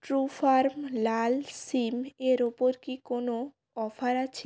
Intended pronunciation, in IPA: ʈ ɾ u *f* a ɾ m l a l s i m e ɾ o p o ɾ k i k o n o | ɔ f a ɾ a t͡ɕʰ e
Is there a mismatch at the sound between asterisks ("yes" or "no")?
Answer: no